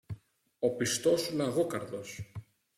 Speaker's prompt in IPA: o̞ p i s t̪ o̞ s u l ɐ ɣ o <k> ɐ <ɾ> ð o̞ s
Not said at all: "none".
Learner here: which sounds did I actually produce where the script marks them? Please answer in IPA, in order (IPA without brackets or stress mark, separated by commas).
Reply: k, ɾ